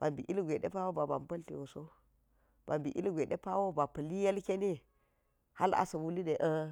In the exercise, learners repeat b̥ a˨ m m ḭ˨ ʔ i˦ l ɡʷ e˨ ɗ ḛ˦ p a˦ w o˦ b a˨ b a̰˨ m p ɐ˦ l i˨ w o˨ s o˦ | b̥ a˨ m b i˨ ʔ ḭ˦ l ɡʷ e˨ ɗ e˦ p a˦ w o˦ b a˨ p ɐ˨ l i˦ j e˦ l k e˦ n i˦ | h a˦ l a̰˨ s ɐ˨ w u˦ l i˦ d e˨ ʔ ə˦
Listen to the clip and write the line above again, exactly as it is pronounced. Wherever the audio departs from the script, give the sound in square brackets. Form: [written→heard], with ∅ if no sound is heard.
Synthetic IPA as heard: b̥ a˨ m [m→b] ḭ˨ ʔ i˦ l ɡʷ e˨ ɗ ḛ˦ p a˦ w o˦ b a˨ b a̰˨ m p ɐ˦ l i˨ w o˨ s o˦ | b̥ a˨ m b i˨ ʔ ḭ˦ l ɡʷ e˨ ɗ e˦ p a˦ w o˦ b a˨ p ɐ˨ l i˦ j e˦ l k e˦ n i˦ | h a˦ l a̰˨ s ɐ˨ w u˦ l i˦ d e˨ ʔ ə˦